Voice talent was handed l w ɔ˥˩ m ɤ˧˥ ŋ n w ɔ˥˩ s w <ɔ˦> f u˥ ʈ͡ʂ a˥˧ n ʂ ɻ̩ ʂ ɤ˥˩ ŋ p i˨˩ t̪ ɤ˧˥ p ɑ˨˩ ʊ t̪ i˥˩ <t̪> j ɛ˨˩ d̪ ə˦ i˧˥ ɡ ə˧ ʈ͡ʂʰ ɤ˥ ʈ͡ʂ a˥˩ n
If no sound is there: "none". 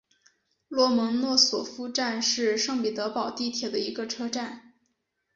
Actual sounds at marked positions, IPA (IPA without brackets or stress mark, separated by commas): ɔ˨˩, t̪ʰ